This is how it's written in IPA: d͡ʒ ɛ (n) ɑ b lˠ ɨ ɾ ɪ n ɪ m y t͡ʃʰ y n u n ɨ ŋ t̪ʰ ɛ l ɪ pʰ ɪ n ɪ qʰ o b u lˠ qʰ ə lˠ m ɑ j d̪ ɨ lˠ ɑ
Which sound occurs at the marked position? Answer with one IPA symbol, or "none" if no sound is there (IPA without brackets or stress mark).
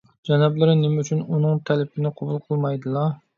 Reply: n